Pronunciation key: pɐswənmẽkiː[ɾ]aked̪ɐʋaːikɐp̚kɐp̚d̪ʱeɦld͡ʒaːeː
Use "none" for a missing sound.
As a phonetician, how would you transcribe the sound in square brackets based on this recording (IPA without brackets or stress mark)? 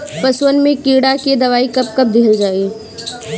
ɽ